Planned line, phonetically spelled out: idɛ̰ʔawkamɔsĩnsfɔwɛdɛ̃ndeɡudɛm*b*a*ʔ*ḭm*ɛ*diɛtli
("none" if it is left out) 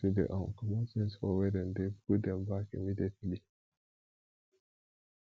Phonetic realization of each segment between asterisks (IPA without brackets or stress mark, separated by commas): b, k, i